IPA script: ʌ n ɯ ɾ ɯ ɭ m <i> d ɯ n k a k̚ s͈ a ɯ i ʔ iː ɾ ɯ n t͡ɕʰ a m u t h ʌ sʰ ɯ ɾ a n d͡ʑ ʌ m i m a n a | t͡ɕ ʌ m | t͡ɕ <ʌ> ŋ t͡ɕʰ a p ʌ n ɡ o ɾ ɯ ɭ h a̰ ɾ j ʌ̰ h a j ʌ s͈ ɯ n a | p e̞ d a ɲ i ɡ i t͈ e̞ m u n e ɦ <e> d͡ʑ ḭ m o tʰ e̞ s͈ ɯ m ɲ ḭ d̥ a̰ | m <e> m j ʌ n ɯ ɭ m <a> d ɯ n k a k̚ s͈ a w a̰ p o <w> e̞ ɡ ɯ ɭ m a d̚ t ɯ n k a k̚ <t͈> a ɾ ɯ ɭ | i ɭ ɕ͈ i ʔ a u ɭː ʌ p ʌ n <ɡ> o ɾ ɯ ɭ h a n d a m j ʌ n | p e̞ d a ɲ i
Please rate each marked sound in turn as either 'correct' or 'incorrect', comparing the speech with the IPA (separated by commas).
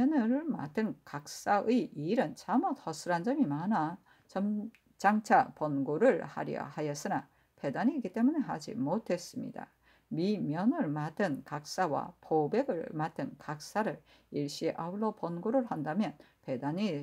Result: incorrect, incorrect, incorrect, incorrect, correct, incorrect, incorrect, correct